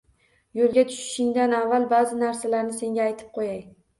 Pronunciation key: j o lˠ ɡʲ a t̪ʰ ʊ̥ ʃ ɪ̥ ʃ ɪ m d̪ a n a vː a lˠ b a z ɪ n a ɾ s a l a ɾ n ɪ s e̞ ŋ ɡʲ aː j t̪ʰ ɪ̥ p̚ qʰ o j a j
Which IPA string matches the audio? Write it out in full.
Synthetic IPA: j o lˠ ɡʲ a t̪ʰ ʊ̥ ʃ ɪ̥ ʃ ɪ ŋ d̪ a n a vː a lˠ b a z ɪ n a ɾ s a l a ɾ n ɪ s e̞ ŋ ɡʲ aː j t̪ʰ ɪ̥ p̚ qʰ o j a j